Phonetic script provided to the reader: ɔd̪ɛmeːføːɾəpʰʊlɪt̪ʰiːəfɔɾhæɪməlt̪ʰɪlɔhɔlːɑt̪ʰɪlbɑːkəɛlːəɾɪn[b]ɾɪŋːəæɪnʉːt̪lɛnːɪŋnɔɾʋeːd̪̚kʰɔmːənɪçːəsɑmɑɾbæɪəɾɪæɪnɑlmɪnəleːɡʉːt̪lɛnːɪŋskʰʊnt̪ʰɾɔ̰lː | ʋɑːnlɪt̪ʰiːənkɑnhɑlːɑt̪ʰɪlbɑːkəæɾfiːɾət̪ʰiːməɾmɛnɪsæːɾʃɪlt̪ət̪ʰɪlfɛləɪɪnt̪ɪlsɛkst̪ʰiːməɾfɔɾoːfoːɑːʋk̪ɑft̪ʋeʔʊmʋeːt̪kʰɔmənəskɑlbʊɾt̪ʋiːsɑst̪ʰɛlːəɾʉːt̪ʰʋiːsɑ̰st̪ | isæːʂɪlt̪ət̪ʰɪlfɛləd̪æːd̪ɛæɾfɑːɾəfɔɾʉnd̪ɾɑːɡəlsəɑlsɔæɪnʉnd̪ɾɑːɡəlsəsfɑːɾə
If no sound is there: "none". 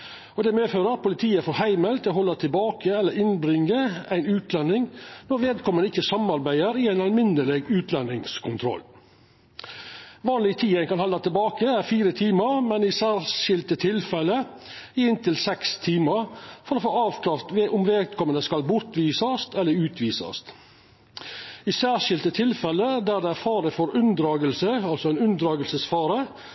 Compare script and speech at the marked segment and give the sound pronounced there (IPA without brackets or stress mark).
b